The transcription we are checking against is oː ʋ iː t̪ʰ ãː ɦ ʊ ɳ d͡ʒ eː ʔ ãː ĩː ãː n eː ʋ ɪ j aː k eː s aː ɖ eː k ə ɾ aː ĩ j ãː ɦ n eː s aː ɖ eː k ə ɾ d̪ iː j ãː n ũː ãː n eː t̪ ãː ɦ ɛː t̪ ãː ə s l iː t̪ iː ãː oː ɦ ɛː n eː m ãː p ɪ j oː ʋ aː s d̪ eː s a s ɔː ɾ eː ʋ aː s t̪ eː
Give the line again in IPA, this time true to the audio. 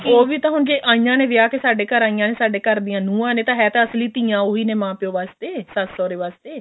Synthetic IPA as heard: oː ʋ iː t̪ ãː ɦ ʊ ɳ d͡ʒ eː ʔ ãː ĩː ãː n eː ʋ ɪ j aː k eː s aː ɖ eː k ə ɾ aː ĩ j ãː n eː s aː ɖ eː k ə ɾ d̪ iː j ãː n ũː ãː n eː t̪ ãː ɦ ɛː t̪ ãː ə s l iː t̪ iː ãː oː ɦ iː n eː m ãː p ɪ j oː ʋ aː s t̪ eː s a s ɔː ɾ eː ʋ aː s t̪ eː